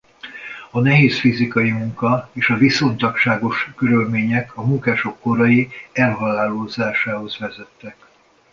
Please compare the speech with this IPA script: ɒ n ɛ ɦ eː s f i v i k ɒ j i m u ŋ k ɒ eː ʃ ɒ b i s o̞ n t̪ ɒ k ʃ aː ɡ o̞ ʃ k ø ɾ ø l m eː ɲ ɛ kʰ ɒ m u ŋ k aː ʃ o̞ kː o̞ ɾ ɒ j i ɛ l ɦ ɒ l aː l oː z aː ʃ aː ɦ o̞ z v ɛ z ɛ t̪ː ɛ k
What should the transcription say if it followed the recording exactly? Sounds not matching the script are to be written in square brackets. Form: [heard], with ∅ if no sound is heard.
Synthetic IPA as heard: ɒ n ɛ ɦ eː s f i [z] i k ɒ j i m u ŋ k ɒ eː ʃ ɒ [v] i s o̞ n t̪ ɒ k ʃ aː ɡ o̞ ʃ k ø ɾ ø l m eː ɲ ɛ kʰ ɒ m u ŋ k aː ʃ o̞ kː o̞ ɾ ɒ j i ɛ l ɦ ɒ l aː l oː z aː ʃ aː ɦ o̞ z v ɛ z ɛ t̪ː ɛ k